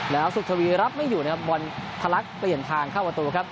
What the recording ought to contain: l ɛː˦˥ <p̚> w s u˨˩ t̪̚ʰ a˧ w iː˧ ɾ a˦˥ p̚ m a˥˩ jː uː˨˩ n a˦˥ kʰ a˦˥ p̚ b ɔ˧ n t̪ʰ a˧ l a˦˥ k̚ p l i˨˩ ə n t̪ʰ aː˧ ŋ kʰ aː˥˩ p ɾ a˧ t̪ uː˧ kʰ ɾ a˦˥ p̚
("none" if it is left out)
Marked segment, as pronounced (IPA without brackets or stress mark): none